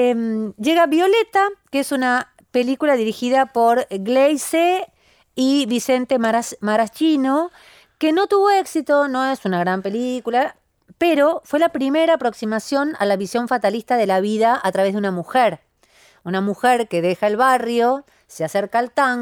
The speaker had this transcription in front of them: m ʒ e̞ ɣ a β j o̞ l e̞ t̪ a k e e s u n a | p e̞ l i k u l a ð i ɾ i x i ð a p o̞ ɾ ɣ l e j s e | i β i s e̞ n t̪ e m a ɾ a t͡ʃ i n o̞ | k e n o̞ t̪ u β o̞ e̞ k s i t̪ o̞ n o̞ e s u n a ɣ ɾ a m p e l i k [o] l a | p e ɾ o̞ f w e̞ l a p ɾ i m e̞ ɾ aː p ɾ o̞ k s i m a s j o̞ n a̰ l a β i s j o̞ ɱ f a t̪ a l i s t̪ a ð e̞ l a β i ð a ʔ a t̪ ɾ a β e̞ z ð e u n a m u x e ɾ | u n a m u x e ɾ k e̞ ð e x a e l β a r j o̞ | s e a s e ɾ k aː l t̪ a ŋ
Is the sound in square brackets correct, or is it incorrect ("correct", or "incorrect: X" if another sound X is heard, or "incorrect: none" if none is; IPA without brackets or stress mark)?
incorrect: u